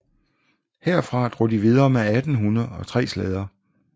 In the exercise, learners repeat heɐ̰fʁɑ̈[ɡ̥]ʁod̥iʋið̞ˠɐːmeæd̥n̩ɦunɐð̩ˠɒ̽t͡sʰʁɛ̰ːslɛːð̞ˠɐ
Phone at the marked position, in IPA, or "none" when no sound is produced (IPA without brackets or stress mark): d̥